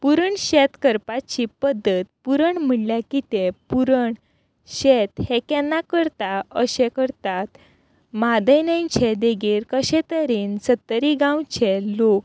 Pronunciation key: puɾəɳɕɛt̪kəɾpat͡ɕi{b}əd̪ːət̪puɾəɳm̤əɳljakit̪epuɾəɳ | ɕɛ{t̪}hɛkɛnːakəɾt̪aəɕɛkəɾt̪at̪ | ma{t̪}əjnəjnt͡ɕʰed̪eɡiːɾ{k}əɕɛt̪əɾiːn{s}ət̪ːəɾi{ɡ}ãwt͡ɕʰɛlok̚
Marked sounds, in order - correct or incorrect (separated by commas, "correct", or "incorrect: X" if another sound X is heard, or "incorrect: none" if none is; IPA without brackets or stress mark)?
incorrect: p, correct, incorrect: d̪, correct, correct, correct